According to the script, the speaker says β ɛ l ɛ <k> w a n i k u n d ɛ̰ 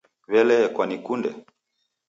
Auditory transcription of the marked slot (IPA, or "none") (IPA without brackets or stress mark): k